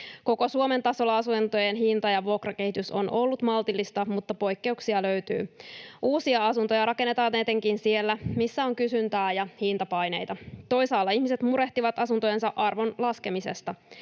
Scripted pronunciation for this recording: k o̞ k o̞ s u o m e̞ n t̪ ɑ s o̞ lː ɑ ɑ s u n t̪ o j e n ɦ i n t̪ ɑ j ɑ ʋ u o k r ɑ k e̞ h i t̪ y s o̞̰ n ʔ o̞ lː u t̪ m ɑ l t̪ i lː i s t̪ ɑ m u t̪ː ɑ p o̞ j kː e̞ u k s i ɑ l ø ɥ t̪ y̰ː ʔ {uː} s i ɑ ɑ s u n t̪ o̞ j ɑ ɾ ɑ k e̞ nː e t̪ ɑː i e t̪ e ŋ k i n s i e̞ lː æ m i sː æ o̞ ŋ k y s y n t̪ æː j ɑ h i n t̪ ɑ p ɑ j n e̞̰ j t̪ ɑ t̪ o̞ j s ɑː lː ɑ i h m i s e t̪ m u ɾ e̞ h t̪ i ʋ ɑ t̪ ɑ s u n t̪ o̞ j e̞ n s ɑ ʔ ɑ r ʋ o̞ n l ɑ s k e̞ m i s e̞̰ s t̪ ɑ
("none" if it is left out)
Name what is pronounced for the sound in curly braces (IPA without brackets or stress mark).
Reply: uː